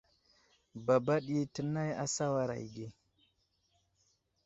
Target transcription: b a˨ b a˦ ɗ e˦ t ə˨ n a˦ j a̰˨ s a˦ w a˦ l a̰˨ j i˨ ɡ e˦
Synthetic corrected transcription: b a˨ b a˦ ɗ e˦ t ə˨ n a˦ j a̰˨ s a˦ w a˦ ɾ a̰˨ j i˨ ɡ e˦